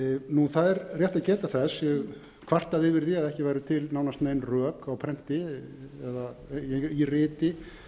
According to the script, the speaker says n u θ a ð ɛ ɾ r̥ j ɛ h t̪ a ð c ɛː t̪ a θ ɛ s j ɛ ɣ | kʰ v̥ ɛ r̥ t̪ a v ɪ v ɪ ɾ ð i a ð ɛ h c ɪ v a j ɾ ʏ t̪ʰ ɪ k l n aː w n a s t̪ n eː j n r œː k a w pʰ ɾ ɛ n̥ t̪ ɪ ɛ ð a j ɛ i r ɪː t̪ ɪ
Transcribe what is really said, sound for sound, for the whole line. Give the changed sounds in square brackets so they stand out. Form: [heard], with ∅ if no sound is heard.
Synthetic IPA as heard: n u θ a ð ɛ ɾ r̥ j ɛ h t̪ a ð c ɛː t̪ a θ ɛ s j ɛ ɣ | kʰ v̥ [a] r̥ t̪ a [ð] ɪ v ɪ ɾ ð i a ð ɛ h c ɪ v a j ɾ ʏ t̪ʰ ɪ [∅] l n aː w n a s t̪ n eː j n r œː k a w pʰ ɾ ɛ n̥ t̪ ɪ ɛ ð a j ɛ i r ɪː t̪ ɪ